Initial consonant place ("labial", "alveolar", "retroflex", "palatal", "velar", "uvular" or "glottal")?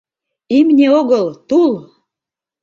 labial